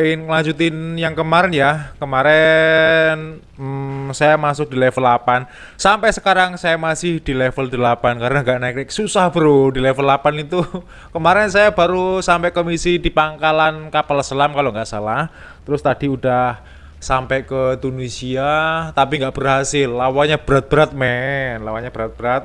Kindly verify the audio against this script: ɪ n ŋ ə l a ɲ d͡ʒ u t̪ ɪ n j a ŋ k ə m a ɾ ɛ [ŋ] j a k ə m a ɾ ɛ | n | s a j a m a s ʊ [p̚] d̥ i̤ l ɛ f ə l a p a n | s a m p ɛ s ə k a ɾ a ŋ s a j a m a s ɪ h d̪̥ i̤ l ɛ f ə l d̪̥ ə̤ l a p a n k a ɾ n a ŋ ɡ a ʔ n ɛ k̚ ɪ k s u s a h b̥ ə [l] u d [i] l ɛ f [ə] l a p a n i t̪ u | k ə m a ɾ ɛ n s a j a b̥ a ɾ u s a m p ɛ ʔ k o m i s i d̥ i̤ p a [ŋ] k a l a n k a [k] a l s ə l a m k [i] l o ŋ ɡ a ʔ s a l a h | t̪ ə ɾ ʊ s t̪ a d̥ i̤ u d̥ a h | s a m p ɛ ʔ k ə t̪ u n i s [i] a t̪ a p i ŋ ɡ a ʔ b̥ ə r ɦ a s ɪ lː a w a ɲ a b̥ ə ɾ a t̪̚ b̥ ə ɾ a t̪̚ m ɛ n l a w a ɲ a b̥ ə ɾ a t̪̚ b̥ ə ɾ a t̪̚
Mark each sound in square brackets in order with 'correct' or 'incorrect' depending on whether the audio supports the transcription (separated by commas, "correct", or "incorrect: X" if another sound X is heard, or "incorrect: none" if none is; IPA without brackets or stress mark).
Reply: incorrect: n, incorrect: k̚, incorrect: ɾ, correct, correct, correct, incorrect: p, incorrect: a, correct